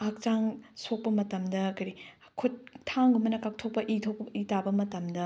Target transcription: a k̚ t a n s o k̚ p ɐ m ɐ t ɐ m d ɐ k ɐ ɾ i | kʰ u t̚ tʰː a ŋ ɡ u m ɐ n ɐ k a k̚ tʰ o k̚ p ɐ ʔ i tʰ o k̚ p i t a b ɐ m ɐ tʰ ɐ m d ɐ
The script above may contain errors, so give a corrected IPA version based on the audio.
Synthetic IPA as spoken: a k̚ t͡ʃ a ŋ s o k̚ p ɐ m ɐ t ɐ m d ɐ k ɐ ɾ i | kʰ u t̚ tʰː a ŋ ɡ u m ɐ n ɐ k a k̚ tʰ o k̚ p ɐ ʔ i tʰ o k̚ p i t a b ɐ m ɐ t ɐ m d ɐ